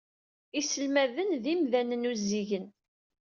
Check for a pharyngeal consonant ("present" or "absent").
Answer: absent